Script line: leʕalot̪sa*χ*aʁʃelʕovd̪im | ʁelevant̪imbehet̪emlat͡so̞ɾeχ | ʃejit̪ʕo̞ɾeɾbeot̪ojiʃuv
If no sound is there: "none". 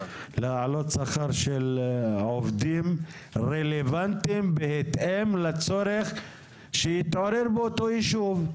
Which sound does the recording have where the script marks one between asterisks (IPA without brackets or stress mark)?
χ